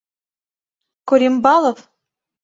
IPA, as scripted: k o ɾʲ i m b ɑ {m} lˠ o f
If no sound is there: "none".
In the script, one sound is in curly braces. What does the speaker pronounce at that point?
none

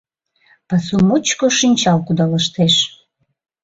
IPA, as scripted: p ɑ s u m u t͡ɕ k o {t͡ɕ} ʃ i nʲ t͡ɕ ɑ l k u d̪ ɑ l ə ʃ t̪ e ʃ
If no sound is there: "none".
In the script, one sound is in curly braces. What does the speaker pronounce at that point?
none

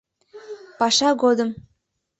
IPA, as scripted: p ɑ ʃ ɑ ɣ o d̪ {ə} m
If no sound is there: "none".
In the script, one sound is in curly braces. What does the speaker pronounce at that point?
ə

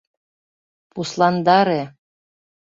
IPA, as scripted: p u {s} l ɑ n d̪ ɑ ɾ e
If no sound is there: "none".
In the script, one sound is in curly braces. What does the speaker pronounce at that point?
s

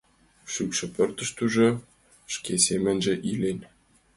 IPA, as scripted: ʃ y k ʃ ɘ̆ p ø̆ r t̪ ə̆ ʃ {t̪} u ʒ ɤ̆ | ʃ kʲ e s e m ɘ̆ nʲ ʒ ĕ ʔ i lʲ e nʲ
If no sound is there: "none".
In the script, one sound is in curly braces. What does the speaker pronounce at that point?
t̪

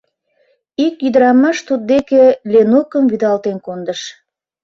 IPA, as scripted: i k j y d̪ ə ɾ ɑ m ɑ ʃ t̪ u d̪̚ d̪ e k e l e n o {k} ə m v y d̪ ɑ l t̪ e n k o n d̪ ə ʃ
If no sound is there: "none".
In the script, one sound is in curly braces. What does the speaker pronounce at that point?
k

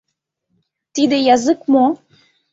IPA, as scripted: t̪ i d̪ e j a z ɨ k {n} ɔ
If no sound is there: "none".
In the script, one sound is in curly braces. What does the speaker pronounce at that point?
m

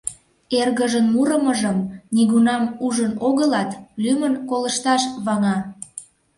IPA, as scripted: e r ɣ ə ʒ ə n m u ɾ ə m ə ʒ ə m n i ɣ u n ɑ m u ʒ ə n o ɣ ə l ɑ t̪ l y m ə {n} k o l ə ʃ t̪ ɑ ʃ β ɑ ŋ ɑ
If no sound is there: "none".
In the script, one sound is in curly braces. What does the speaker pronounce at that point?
n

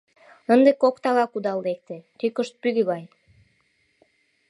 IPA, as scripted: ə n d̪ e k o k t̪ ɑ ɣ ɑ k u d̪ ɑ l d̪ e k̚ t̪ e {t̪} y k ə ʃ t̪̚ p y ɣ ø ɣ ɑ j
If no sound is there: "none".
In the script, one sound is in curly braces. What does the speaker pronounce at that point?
t̪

